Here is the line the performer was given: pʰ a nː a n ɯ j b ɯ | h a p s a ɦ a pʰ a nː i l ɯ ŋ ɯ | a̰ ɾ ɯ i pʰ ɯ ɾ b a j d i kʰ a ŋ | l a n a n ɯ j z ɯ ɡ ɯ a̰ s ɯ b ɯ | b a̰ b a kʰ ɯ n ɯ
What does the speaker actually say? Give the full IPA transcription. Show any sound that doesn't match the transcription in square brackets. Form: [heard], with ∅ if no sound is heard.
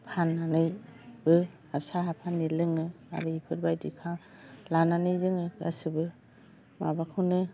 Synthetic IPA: pʰ a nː a n ɯ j b ɯ | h a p s a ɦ a pʰ a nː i l ɯ ŋ ɯ | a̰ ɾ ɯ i pʰ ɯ ɾ b a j d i kʰ a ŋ | l a n a n ɯ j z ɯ [ŋ] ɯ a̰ s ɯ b ɯ | [m] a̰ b a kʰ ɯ n ɯ